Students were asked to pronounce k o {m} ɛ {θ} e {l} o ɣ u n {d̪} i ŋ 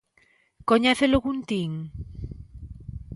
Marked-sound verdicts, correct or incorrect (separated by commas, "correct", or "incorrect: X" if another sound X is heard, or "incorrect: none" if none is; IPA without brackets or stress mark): incorrect: ɲ, correct, correct, incorrect: t̪